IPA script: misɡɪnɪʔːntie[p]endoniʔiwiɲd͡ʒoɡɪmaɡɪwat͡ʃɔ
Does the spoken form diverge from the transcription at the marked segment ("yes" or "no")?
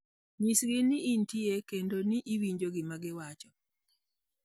yes